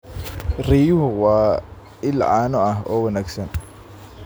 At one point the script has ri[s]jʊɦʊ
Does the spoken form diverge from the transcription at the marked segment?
yes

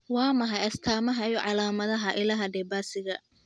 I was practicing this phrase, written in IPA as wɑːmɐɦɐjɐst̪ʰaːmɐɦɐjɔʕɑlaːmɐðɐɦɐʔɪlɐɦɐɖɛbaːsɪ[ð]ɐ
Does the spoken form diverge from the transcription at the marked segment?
yes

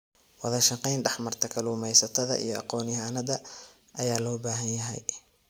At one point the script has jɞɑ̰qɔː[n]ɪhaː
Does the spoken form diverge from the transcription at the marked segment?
no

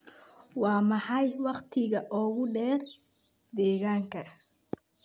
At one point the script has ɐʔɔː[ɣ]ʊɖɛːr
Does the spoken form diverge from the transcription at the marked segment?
no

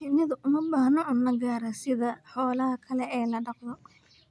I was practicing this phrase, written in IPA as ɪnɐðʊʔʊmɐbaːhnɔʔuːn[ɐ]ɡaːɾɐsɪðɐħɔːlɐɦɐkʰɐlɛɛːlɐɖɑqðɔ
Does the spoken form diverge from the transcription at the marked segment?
no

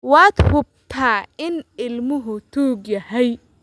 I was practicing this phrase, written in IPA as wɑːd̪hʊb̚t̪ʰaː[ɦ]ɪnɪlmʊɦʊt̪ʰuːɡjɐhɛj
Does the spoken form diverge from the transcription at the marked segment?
yes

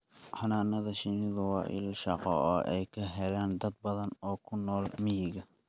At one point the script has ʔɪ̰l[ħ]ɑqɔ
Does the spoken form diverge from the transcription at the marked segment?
yes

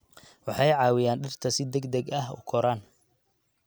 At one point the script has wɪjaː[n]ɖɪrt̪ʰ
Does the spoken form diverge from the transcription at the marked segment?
no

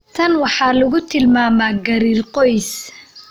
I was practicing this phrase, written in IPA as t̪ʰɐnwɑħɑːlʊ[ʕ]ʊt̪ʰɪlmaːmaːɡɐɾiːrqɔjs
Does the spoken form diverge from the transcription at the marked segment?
yes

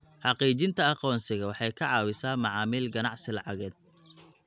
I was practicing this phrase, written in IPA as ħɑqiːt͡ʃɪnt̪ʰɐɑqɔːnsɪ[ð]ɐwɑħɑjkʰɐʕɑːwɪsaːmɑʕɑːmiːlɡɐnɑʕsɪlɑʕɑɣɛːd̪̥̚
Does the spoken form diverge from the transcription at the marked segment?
yes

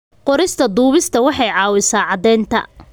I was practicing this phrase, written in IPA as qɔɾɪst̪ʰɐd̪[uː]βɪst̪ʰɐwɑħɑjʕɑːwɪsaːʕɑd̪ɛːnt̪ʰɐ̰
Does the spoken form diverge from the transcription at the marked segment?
no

